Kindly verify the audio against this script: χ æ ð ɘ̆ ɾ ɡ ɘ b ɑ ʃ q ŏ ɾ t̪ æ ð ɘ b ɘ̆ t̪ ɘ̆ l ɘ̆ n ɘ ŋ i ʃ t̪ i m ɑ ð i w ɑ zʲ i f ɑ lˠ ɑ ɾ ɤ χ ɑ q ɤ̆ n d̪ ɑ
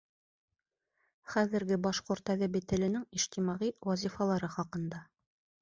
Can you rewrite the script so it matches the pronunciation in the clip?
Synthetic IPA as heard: χ æ ð ɘ̆ ɾ ɡ ɘ b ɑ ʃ q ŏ ɾ t̪ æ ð ɘ b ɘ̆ t̪ ɘ̆ l ɘ̆ n ɘ ŋ i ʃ t̪ i m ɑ ʁ i w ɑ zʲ i f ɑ lˠ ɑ ɾ ɤ χ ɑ q ɤ̆ n d̪ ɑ